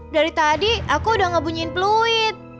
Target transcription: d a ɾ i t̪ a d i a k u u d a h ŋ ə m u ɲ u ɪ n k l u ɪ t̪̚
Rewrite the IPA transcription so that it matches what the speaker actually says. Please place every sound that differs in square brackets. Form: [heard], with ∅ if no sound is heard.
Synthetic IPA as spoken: d a ɾ i t̪ a d i a k u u d a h ŋ ə [b] u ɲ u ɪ n [p] l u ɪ t̪̚